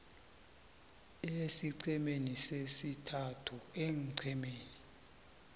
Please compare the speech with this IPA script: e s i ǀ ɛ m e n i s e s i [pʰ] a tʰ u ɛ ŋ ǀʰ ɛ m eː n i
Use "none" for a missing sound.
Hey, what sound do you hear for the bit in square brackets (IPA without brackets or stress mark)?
tʰ